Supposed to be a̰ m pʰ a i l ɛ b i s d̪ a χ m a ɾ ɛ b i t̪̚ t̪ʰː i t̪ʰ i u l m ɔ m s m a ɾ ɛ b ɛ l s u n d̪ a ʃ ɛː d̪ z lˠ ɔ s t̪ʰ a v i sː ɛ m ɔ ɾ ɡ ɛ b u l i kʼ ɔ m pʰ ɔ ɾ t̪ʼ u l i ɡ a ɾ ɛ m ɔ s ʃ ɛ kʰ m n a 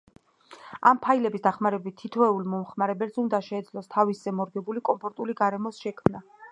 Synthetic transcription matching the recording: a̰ m pʰ a i l ɛ b i s d̪ a χ m a ɾ ɛ b i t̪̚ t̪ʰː i t̪ʰ ɛ u l m ɔ m χ m a ɾ ɛ b ɛ l s u n d̪ a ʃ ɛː d̪ z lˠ ɔ s t̪ʰ a v i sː ɛ m ɔ ɾ ɡ ɛ b u l i kʼ ɔ m pʰ ɔ ɾ t̪ʼ u l i ɡ a ɾ ɛ m ɔ s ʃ ɛ kʰ m n a